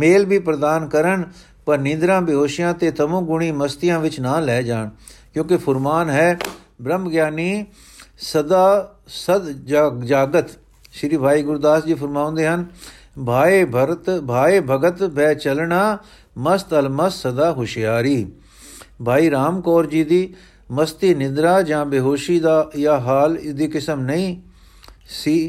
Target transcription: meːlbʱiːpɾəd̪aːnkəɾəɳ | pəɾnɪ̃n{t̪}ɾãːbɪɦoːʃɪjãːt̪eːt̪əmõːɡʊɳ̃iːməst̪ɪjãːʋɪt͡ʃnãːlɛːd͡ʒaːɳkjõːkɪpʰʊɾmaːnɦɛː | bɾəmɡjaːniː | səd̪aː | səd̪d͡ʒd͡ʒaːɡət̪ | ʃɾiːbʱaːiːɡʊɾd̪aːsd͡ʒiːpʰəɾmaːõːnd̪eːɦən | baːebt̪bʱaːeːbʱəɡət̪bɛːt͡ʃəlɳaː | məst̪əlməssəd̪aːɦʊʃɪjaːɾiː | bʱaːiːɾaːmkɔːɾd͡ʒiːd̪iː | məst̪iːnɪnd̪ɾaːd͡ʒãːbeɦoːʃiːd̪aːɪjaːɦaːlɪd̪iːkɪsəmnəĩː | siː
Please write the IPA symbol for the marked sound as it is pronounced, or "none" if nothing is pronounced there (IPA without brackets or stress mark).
d̪